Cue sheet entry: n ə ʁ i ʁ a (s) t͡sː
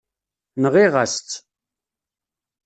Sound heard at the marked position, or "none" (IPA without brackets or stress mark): s